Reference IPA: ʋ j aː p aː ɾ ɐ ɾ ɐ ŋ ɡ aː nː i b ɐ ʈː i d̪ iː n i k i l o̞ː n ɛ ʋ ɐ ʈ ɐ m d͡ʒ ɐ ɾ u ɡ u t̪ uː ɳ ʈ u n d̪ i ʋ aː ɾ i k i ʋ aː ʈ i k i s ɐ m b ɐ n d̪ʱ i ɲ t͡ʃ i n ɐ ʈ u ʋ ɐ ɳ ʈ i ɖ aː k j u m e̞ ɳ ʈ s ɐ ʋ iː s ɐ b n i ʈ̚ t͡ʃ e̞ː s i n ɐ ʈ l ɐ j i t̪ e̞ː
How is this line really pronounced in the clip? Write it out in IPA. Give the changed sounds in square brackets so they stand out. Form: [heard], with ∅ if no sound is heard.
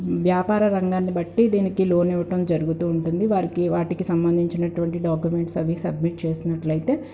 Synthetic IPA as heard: ʋ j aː p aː ɾ ɐ ɾ ɐ ŋ ɡ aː nː i b ɐ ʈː i d̪ iː n i k i l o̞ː n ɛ ʋ ɐ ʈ ɐ m d͡ʒ ɐ ɾ u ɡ u t̪ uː ɳ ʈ u n d̪ i ʋ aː ɾ i k i ʋ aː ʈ i k i s ɐ m b ɐ n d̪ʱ i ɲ t͡ʃ i n ɐ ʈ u ʋ ɐ ɳ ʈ i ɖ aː k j u m e̞ ɳ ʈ s ɐ ʋ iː s ɐ b [m] i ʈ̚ t͡ʃ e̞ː s i n ɐ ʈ l ɐ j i t̪ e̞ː